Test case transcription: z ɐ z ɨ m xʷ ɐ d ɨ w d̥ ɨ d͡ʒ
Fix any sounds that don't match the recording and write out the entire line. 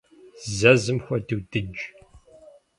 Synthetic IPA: z ɐ z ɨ m xʷ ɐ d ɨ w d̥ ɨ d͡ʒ